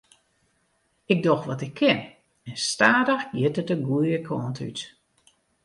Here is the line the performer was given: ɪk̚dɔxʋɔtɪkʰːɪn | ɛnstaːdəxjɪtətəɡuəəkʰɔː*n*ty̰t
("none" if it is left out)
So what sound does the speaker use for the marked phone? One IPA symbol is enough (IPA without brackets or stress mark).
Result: n